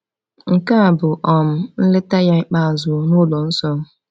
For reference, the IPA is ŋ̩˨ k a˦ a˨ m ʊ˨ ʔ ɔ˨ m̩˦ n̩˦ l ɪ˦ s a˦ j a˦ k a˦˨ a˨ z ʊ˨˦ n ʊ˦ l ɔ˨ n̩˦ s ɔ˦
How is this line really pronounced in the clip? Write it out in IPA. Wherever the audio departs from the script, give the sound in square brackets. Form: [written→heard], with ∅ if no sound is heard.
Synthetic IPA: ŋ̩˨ k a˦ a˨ [m→b] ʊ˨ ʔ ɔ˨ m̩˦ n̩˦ l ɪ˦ [s→t] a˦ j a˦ [k→k͡p] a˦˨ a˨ z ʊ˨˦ n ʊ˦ l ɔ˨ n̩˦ s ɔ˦

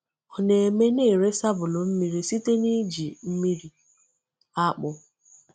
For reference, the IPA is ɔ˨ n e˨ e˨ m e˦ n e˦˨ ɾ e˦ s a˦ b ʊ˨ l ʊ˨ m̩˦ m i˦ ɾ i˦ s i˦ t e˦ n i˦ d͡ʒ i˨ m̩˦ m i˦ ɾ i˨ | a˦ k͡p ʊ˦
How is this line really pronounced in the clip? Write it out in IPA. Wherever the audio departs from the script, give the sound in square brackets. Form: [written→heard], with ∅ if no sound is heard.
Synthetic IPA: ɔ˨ n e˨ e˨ m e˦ n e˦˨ ɾ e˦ s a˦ b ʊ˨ l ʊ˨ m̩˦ m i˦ ɾ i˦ s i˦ t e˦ n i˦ d͡ʒ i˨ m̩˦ m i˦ ɾ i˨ | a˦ k͡p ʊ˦

